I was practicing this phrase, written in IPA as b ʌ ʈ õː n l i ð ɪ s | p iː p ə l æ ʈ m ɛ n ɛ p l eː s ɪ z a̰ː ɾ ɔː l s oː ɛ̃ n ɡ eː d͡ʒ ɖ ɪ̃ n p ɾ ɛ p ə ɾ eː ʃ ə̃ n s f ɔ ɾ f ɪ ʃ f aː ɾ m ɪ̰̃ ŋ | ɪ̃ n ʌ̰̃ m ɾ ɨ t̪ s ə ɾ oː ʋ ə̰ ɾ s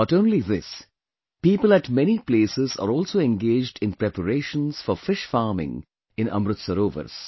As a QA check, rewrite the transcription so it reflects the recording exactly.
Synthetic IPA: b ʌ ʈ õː n l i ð ɪ s | p iː p ə l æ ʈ m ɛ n i p l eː s ɪ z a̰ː ɾ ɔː l s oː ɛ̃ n ɡ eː d͡ʒ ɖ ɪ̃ n p ɾ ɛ p ə ɾ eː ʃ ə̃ n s f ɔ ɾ f ɪ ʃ f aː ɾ m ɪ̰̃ ŋ | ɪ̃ n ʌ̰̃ m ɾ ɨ t̪ s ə ɾ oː ʋ ə̰ ɾ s